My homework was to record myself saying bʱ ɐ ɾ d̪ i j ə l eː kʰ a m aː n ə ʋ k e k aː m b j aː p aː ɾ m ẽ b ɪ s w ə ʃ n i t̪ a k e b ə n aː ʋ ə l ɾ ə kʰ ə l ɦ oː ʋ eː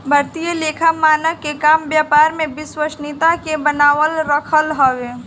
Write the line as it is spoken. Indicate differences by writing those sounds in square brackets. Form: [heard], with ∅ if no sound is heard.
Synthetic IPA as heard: bʱ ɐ ɾ [t̪] i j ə l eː kʰ a m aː n ə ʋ k e k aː m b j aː p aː ɾ m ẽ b ɪ s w ə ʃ n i t̪ a k e b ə n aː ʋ ə l ɾ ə kʰ ə l ɦ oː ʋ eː